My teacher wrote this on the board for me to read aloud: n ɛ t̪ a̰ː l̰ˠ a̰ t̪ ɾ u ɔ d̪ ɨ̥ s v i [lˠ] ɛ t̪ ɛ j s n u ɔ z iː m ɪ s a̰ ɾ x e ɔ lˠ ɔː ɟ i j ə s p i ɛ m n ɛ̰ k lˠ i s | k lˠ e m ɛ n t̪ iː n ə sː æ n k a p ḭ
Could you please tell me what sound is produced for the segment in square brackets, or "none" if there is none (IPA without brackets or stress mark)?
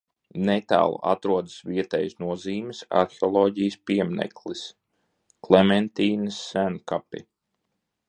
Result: none